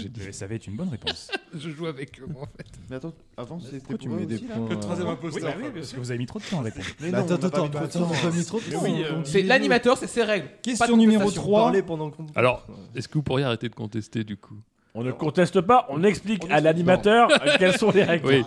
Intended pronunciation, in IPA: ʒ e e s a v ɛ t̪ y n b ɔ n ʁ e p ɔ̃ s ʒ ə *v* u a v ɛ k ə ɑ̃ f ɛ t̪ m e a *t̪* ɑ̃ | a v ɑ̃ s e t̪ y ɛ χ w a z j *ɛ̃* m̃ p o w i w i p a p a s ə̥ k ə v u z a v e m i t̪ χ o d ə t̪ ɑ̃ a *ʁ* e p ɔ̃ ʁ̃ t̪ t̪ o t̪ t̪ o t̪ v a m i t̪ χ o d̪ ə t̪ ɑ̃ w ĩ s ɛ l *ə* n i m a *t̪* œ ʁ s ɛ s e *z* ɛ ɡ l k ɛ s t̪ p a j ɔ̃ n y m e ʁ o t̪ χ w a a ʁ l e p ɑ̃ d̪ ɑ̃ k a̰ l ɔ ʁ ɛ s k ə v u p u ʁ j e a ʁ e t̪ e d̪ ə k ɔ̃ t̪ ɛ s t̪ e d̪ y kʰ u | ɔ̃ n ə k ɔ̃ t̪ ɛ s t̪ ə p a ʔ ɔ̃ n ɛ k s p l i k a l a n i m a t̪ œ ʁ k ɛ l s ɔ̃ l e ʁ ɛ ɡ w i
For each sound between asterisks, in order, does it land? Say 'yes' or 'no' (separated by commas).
no, yes, no, yes, no, yes, no